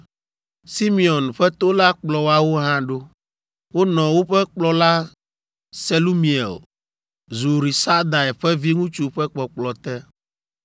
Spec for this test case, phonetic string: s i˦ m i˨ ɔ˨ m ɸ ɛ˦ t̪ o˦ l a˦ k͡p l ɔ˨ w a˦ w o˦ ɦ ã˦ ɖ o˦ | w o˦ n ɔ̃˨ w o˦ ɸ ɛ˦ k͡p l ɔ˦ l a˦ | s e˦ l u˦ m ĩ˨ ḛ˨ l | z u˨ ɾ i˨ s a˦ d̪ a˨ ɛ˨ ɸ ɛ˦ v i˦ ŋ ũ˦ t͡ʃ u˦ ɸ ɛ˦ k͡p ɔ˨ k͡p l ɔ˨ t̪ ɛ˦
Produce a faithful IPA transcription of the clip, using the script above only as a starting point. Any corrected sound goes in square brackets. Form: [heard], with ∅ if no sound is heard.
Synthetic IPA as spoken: s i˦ m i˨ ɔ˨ [n] ɸ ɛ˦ t̪ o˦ l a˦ k͡p l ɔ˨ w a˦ w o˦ ɦ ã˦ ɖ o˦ | w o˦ n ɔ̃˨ w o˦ ɸ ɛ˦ k͡p l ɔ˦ l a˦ | s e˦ l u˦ m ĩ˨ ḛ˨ l | z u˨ ɾ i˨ s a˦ d̪ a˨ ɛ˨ ɸ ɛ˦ v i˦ ŋ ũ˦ t͡ʃ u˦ ɸ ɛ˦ k͡p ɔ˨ k͡p l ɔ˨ t̪ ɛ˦

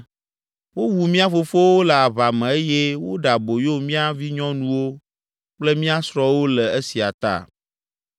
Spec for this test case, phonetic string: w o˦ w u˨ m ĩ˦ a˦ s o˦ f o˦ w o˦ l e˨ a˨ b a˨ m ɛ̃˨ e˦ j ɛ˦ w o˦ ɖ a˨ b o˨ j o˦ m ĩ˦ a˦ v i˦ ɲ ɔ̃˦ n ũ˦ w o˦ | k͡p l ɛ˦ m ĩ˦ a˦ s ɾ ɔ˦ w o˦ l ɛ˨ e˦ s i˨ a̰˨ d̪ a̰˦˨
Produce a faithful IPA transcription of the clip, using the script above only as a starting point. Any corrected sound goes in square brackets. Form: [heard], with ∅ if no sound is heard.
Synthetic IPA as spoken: w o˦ w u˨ m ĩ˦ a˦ [f] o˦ f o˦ w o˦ l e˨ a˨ [β] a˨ m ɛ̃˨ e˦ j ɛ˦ w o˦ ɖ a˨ b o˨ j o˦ m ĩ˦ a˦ v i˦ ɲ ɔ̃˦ n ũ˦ w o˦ | k͡p l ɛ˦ m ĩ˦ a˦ s ɾ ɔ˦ w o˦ l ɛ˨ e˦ s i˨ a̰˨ [t̪] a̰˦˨

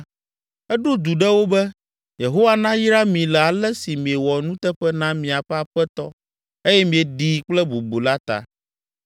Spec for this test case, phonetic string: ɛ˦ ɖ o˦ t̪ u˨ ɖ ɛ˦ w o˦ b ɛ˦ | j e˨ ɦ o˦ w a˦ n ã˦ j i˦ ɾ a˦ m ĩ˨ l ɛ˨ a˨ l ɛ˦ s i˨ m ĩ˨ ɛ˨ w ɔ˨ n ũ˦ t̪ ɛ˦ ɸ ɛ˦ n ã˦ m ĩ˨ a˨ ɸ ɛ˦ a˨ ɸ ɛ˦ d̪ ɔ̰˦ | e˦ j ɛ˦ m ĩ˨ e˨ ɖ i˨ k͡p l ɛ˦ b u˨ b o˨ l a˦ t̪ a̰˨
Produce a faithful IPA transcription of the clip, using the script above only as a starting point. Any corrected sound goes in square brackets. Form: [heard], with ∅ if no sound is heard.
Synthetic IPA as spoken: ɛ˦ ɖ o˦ [d̪] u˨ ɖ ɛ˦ w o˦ b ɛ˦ | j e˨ ɦ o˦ w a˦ n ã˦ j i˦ ɾ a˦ m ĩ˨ l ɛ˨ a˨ l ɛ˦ s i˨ m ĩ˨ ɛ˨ w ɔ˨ n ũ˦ t̪ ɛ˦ ɸ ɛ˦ n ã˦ m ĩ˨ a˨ ɸ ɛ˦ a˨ ɸ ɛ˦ [t̪] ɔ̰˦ | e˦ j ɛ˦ m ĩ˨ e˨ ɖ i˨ k͡p l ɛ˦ b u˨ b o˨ l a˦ t̪ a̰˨

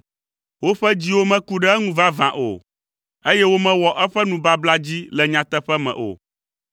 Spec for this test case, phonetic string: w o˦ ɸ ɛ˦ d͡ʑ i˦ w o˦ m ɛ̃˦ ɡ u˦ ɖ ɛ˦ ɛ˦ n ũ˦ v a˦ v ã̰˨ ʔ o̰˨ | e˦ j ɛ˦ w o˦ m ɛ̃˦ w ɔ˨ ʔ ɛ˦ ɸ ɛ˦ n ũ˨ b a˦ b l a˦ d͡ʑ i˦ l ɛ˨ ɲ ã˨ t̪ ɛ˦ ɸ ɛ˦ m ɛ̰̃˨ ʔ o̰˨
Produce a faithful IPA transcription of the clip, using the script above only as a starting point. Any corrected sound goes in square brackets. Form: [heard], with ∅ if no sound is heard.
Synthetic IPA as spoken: w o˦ ɸ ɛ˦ d͡ʑ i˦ w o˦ m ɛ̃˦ [k] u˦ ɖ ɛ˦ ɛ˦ [ŋ] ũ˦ v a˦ v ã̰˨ ʔ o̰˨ | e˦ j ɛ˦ w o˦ m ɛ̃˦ w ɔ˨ ʔ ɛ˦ ɸ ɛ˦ n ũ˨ b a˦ b l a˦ d͡ʑ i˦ l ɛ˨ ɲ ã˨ t̪ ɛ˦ ɸ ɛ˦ m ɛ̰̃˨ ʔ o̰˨

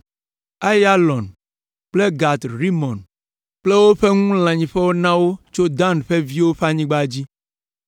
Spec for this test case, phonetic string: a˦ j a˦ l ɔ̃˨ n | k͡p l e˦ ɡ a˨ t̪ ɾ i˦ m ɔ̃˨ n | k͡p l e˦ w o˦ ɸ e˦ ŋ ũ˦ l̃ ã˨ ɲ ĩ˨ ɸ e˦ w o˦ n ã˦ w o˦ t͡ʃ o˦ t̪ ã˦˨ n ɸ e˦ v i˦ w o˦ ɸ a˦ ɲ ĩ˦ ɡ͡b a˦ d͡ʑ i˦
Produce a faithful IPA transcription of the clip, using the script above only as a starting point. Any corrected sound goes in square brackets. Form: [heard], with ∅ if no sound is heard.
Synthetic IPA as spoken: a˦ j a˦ l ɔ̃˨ n | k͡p l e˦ ɡ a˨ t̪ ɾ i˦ m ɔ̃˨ n | k͡p l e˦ w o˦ ɸ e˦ ŋ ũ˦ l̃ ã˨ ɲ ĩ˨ ɸ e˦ w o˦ n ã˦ w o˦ t͡ʃ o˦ [d̪] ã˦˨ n ɸ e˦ v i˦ w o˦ ɸ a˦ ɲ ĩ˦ ɡ͡b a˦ d͡ʑ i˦

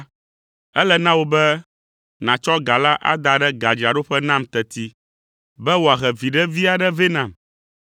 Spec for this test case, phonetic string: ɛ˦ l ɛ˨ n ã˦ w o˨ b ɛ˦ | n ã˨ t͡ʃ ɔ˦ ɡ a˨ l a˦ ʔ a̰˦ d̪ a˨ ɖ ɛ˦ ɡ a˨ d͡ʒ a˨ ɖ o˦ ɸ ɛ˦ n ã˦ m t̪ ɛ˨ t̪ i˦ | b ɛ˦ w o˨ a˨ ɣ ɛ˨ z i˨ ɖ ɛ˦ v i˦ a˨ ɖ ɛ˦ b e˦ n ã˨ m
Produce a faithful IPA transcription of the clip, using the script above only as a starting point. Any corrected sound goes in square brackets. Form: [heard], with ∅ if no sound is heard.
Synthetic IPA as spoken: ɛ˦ l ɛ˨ n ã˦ w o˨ b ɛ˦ | n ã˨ t͡ʃ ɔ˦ ɡ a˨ l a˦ ʔ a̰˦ d̪ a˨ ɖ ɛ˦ ɡ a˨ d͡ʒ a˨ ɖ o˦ ɸ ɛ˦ n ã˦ m t̪ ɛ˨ t̪ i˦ | b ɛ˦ w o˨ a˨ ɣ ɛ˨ [v] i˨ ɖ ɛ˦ v i˦ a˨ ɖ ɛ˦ [v] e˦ n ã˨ m

